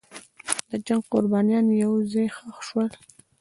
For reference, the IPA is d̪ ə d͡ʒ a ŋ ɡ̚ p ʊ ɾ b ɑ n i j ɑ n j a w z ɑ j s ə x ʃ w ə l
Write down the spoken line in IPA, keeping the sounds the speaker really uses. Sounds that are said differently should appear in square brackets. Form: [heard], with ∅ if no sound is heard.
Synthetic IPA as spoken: d̪ ə d͡ʒ a ŋ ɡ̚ [q] ʊ ɾ b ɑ n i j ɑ n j a w z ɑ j [x] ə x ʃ w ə l